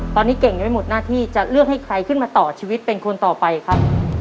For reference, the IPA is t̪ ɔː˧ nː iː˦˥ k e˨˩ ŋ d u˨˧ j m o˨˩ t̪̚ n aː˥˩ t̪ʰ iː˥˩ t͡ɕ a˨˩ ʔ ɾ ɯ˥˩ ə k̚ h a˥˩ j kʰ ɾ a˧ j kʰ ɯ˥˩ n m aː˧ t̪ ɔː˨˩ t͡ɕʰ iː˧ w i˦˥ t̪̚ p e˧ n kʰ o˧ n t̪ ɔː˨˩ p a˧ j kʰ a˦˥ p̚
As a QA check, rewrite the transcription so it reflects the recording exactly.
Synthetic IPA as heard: t̪ ɔː˧ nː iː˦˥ k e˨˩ ŋ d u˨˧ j m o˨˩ t̪̚ n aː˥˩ t̪ʰ iː˥˩ t͡ɕ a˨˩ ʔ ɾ ɯ˥˩ ə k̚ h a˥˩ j kʰ ɾ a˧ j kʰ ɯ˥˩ n m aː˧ t̪ ɔː˨˩ t͡ɕʰ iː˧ w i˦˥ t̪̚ p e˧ n kʰ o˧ n t̪ ɔː˨˩ p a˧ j kʰ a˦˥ p̚

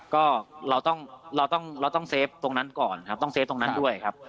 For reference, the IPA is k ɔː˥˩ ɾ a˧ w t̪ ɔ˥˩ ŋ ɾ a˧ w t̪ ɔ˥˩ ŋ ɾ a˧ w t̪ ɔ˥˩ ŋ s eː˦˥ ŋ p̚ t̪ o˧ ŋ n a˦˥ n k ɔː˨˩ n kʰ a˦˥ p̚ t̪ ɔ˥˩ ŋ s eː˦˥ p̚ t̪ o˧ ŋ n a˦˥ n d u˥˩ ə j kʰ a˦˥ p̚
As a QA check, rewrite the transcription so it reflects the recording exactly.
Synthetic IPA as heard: k ɔː˥˩ ɾ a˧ w t̪ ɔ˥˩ ŋ ɾ a˧ w t̪ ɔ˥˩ ŋ ɾ a˧ w t̪ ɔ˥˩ ŋ s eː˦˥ p̚ t̪ o˧ ŋ n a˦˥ n k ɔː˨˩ n kʰ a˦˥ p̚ t̪ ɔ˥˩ ŋ s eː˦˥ p̚ t̪ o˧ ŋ n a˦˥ n d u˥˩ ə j kʰ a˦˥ p̚

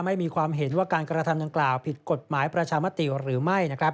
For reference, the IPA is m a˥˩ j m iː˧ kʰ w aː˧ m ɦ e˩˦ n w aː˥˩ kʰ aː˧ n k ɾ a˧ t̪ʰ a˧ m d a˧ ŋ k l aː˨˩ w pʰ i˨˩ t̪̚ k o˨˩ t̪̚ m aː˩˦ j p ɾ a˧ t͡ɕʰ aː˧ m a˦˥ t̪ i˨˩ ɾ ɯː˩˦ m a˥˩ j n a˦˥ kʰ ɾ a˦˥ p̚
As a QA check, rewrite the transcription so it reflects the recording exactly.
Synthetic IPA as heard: m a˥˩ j m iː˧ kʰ w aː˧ m ɦ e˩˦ n w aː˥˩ k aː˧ n k ɾ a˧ t̪ʰ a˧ m d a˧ ŋ k l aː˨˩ w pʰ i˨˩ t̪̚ k o˨˩ t̪̚ m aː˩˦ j p ɾ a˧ t͡ɕʰ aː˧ m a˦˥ t̪ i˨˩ ɾ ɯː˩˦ m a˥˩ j n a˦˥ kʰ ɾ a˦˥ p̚

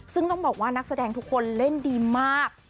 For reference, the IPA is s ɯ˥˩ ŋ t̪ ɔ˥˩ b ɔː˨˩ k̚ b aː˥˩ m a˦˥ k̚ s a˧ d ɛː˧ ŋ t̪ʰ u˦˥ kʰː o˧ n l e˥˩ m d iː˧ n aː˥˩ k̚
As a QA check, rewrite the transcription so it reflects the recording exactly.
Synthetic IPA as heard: s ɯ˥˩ ŋ t̪ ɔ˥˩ b ɔː˨˩ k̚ w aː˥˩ n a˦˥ k̚ s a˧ d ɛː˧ ŋ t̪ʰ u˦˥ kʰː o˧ n l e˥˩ n d iː˧ m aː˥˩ k̚

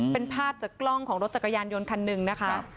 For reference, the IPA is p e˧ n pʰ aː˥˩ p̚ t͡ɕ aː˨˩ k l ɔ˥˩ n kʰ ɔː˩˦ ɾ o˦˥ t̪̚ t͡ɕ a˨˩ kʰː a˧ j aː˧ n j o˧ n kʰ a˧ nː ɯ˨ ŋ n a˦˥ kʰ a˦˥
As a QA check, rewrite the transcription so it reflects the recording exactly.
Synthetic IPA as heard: p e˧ n pʰ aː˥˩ p̚ t͡ɕ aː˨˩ k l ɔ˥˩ ŋ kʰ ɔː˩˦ ɾ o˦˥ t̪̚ t͡ɕ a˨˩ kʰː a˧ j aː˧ n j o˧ n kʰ a˧ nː ɯ˨ ŋ n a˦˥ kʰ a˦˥

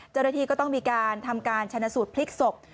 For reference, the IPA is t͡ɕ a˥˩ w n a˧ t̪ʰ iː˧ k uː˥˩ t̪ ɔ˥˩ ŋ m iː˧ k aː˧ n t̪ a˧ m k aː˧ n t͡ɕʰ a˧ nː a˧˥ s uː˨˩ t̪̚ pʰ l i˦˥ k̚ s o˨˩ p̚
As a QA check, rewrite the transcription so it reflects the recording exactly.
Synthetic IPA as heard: t͡ɕ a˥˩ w n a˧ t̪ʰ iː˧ k ɔː˥˩ t̪ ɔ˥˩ ŋ m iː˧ k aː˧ n t̪ʰ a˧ m k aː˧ n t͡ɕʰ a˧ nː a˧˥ s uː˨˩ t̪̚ pʰ l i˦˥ k̚ s o˨˩ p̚

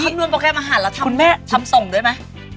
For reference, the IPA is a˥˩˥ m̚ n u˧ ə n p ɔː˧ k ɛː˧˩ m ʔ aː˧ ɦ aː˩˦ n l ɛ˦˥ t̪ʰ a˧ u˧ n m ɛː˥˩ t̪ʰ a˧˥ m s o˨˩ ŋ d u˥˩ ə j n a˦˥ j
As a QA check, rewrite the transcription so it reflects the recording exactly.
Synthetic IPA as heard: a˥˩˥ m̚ n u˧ ə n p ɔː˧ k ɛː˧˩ m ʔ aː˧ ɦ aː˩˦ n l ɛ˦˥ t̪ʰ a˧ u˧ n m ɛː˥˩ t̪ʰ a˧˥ m s o˨˩ ŋ d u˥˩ ə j m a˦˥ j

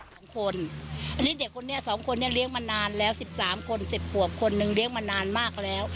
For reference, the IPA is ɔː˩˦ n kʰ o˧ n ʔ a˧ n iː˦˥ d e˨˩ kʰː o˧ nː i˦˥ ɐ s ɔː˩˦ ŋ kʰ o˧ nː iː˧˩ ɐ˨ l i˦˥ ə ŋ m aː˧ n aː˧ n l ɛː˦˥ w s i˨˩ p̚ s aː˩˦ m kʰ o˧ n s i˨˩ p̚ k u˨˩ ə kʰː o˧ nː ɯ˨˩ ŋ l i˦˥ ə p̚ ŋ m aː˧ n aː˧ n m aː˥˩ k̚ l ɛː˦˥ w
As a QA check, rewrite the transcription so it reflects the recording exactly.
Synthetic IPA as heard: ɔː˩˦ ŋ kʰ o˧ n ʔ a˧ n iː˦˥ d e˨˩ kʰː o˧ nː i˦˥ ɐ s ɔː˩˦ ŋ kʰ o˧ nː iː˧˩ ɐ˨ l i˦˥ ə ŋ m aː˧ n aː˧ n l ɛː˦˥ w s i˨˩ p̚ s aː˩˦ m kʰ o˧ n s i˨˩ p̚ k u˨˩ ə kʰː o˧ nː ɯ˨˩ ŋ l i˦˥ ə ŋ m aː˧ n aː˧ n m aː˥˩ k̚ l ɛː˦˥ w

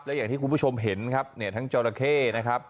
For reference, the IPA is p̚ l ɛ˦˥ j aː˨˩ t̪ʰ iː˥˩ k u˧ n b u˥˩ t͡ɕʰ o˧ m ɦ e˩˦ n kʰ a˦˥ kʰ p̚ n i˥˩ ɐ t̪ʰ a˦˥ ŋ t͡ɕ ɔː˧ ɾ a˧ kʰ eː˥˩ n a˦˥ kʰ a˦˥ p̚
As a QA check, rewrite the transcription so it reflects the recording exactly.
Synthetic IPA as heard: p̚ l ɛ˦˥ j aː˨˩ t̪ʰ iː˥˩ k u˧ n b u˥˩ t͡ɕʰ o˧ m ɦ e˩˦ n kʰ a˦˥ p̚ n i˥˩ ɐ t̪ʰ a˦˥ ŋ t͡ɕ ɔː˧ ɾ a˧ kʰ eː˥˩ n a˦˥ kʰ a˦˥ p̚

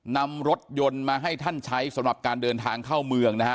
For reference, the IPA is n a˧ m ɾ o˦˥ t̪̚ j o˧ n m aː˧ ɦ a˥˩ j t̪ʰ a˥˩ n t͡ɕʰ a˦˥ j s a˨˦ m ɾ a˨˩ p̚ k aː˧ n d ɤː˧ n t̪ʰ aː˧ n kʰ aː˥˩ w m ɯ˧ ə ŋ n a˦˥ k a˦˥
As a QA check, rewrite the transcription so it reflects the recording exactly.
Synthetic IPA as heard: n a˧ m ɾ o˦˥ t̪̚ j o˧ n m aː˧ ɦ a˥˩ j t̪ʰ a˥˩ n t͡ɕʰ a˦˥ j s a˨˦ m ɾ a˨˩ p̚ k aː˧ n d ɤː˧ n t̪ʰ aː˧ ŋ kʰ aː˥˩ w m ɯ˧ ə ŋ n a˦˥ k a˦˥

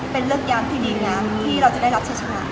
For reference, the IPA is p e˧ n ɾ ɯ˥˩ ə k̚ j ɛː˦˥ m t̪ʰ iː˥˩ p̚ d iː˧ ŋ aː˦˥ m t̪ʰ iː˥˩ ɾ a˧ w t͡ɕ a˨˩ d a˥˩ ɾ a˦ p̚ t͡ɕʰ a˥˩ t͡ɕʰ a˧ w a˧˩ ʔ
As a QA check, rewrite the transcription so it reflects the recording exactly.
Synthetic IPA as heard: p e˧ n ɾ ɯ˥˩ ə k̚ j aː˦˥ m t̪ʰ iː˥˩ d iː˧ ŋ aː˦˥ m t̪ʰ iː˥˩ ɾ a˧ w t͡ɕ a˨˩ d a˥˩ ɾ a˦ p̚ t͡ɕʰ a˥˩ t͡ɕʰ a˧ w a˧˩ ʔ

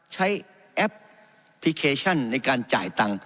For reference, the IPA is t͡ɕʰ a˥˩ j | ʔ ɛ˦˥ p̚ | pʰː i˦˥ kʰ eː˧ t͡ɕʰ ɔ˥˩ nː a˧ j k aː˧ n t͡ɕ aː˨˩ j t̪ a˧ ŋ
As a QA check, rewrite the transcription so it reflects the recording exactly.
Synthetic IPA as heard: t͡ɕʰ a˦˥ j | ʔ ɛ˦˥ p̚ | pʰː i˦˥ kʰ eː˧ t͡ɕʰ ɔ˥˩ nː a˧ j k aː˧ n t͡ɕ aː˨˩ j t̪ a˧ ŋ

